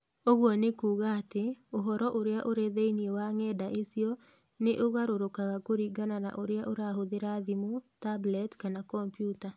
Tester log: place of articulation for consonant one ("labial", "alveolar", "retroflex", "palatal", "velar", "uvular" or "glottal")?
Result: velar